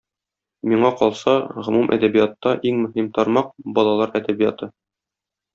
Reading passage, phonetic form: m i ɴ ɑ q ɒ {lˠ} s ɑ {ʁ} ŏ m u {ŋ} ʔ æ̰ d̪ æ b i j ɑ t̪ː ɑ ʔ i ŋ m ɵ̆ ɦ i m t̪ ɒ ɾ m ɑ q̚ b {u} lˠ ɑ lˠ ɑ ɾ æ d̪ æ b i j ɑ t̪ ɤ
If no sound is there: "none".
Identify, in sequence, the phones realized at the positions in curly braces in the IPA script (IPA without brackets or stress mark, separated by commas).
lˠ, ʁ, m, ɒ